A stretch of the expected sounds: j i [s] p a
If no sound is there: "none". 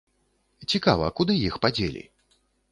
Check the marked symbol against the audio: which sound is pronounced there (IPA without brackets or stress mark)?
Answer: x